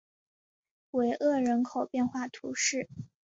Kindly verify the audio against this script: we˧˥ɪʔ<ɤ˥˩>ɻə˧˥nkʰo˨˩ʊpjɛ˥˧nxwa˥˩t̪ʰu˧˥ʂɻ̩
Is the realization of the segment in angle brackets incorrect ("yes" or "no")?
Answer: no